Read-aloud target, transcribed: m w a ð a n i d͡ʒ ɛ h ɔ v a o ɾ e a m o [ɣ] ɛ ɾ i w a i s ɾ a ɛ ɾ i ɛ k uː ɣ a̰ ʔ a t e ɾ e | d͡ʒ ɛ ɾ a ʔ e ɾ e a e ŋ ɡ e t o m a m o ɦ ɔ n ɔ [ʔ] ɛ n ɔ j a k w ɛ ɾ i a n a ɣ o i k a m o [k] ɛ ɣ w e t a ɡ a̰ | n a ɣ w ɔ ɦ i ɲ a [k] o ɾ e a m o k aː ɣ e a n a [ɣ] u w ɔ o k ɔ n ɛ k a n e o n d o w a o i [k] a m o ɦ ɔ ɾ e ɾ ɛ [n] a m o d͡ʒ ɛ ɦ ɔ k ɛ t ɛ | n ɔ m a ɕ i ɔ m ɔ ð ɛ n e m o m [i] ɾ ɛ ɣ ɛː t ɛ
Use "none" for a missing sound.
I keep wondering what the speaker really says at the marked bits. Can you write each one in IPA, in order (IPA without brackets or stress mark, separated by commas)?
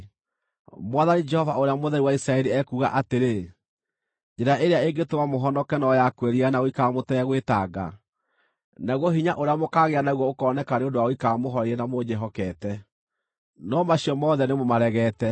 ð, k, t, ʔ, ɣ, k, n, a